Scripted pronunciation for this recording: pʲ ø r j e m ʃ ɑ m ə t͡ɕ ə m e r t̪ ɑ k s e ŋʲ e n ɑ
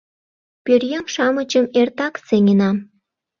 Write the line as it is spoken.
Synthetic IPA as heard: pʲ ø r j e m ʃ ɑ m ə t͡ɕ ə m e r t̪ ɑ k s e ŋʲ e n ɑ